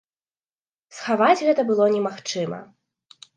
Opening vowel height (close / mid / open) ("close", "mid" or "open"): open